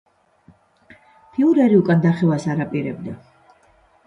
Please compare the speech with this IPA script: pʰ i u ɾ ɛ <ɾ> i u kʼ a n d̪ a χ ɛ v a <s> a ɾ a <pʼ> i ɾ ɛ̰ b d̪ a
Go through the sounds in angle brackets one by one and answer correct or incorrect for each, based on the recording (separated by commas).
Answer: correct, correct, correct